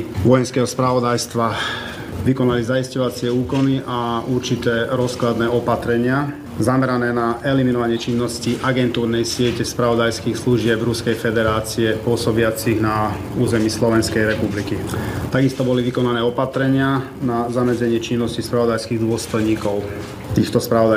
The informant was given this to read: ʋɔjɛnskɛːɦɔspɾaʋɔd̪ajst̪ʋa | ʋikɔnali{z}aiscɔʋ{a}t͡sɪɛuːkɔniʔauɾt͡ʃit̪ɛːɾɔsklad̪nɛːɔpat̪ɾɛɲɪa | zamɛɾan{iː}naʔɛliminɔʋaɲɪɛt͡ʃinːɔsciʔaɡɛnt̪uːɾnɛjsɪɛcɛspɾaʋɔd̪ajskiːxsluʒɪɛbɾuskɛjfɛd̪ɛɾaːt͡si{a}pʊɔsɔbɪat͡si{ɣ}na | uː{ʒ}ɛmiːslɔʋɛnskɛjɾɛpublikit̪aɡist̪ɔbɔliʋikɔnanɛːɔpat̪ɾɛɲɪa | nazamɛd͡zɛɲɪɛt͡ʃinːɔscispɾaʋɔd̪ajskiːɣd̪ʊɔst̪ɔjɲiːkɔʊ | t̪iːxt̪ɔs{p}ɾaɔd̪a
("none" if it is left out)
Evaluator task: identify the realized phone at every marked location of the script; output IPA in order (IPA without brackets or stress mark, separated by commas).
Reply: z, a, ɛː, ɛ, ɣ, z, p